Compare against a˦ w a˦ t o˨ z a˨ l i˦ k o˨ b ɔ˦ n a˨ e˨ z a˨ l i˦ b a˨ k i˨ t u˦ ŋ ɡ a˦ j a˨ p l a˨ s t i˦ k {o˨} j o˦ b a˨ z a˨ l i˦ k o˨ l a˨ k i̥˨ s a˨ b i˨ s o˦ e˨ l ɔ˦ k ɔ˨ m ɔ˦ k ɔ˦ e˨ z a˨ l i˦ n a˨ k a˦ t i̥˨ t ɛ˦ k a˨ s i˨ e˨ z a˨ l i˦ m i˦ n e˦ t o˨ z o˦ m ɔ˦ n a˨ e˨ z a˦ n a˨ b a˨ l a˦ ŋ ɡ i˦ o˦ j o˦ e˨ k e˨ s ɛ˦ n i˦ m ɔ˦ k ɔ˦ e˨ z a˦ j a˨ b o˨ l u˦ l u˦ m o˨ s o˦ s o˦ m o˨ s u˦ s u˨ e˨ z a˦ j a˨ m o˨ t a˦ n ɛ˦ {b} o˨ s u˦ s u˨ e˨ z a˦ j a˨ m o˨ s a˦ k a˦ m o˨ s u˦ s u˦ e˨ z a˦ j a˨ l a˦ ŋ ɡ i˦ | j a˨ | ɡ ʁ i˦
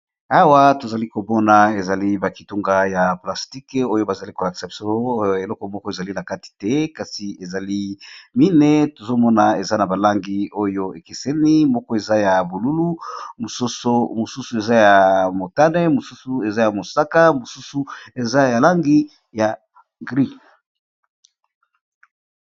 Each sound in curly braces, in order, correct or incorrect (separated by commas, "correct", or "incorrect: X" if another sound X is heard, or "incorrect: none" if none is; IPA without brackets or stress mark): incorrect: o˦, incorrect: m